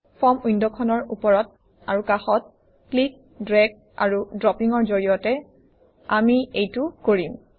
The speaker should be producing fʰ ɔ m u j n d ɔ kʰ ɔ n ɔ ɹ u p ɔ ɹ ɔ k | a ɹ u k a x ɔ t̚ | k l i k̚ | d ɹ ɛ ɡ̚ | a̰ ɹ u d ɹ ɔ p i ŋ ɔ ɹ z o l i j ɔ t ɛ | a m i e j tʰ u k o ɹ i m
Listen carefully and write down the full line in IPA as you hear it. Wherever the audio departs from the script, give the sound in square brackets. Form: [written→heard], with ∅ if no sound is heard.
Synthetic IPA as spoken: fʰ ɔ m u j n d ɔ kʰ ɔ n ɔ ɹ u p ɔ ɹ ɔ [k→t] | a ɹ u k a x ɔ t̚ | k l i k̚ | d ɹ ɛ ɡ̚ | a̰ ɹ u d ɹ ɔ p i ŋ ɔ ɹ z o [l→ɹ] i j ɔ t ɛ | a m i e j [tʰ→t] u k o ɹ i m